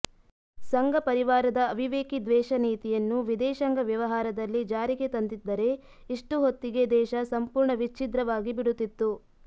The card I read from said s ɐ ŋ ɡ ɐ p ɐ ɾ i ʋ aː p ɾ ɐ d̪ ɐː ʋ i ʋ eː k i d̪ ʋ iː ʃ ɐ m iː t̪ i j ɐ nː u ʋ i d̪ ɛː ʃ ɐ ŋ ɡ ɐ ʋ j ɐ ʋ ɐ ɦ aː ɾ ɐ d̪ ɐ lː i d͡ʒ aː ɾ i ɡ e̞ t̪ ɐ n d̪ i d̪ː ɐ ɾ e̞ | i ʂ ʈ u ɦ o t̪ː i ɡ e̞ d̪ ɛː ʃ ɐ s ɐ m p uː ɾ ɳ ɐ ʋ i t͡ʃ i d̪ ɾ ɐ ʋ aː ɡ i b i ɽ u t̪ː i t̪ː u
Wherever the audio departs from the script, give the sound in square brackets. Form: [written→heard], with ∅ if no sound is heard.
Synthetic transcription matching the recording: s ɐ ŋ ɡ ɐ p ɐ ɾ i ʋ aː [p→∅] ɾ ɐ d̪ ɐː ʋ i ʋ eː k i d̪ ʋ [iː→ɛː] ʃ ɐ [m→n] iː t̪ i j ɐ nː u ʋ i d̪ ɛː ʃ ɐ ŋ ɡ ɐ ʋ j ɐ ʋ ɐ ɦ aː ɾ ɐ d̪ ɐ lː i d͡ʒ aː ɾ i ɡ e̞ t̪ ɐ n d̪ i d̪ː ɐ ɾ e̞ | i ʂ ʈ u ɦ o t̪ː i ɡ e̞ d̪ ɛː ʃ ɐ s ɐ m p uː ɾ ɳ ɐ ʋ i t͡ʃ i d̪ ɾ ɐ ʋ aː ɡ i b i ɽ u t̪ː i t̪ː u